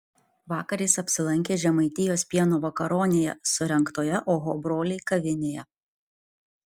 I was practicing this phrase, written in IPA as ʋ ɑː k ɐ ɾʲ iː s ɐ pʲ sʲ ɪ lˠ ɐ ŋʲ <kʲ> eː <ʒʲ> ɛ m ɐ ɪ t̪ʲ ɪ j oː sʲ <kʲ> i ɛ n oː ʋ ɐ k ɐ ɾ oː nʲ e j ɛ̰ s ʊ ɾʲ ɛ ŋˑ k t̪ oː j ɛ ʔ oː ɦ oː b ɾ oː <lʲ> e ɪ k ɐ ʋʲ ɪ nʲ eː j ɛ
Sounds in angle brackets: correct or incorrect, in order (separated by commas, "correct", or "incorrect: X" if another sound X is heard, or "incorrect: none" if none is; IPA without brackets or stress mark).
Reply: correct, correct, incorrect: pʲ, correct